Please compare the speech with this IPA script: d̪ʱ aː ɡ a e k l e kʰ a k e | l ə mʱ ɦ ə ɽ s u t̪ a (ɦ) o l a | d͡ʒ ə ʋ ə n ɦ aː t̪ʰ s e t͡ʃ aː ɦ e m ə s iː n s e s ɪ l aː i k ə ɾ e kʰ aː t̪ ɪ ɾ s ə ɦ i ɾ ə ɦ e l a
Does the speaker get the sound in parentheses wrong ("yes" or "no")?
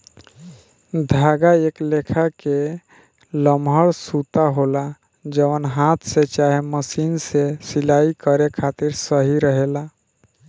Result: no